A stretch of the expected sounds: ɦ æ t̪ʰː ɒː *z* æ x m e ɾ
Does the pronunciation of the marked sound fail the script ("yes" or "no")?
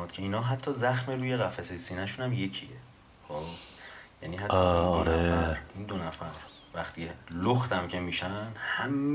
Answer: no